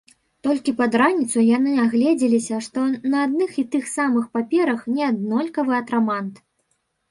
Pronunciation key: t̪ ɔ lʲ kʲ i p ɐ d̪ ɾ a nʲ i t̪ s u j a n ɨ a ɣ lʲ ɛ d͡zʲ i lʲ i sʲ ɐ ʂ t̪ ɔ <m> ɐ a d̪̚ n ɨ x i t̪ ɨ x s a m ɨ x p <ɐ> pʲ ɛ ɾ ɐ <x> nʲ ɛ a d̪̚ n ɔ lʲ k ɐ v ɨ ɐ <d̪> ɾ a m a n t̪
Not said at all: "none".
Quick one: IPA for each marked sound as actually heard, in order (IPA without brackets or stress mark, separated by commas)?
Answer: n, a, x, t̪